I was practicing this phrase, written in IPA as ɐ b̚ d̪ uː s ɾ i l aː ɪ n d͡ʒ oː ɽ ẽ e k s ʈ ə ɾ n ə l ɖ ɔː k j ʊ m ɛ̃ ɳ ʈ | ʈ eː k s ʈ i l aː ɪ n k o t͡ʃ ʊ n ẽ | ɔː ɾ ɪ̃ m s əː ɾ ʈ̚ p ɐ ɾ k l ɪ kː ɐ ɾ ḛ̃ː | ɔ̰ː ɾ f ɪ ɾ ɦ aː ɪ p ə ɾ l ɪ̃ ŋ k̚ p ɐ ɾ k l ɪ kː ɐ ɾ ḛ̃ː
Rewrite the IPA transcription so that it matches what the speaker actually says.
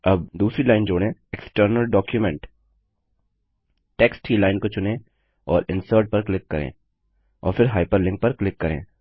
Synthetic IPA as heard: ɐ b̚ d̪ uː s ɾ i l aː ɪ n d͡ʒ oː ɽ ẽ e k s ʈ ə ɾ n ə l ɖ ɔː k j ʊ m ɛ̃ ɳ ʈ | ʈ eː k s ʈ i l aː ɪ n k o t͡ʃ ʊ n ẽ | ɔː ɾ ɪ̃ n s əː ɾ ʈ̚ p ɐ ɾ k l ɪ kː ɐ ɾ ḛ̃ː | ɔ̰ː ɾ f ɪ ɾ ɦ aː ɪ p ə ɾ l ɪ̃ ŋ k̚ p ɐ ɾ k l ɪ kː ɐ ɾ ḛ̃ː